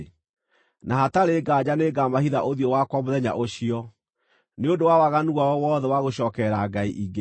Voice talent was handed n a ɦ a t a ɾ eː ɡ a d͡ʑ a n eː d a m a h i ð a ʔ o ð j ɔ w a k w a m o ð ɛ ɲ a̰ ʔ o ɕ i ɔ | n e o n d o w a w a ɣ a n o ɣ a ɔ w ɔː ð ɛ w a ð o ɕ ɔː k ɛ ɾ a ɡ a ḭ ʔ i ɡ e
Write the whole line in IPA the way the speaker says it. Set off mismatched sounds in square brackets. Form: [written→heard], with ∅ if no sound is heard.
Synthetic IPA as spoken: n a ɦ a t a ɾ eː ɡ a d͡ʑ a n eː [d→ɡ] a m a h i ð a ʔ o ð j ɔ w a k w a m o ð ɛ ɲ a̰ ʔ o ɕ i ɔ | n e o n d o w a w a ɣ a n [o→u] ɣ a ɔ w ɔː ð ɛ w a [ð→ɣ] o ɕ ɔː k ɛ ɾ a ɡ a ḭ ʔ i ɡ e